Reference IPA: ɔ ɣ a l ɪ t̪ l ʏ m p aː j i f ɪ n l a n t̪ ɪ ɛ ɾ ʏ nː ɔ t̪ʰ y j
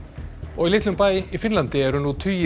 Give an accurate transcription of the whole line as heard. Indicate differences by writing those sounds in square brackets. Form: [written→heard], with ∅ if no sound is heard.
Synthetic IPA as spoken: ɔ ɣ [a→i] l ɪ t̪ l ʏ m p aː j i f ɪ n l a n t̪ ɪ ɛ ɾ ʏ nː [ɔ→u] t̪ʰ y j